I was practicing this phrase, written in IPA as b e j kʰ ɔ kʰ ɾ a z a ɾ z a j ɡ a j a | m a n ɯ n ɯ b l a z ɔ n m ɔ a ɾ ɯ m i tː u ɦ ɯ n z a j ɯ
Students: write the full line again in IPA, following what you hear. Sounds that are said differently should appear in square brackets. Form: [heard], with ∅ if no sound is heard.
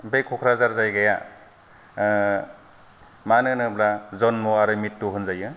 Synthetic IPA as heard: b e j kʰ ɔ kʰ ɾ a z a ɾ z a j ɡ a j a | m a n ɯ n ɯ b l a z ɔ n m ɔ a ɾ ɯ m i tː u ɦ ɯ n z a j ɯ